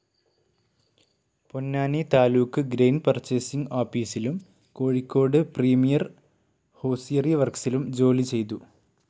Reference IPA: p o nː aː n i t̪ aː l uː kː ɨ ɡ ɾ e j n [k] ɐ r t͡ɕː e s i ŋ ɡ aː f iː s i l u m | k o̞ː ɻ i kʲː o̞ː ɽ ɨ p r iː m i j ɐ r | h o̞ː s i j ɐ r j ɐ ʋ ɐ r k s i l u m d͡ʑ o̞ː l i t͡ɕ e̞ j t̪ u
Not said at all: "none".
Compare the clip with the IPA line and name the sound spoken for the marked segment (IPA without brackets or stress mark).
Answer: p